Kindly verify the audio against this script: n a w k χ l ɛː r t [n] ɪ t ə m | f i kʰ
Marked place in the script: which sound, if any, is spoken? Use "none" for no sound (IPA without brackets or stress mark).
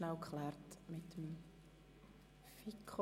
m